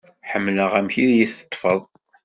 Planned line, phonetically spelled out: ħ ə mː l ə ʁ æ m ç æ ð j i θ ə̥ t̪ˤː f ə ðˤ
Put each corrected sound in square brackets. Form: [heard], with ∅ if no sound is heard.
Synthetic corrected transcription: ħ ə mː l ə ʁ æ m ç [i] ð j i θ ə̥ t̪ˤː f ə ðˤ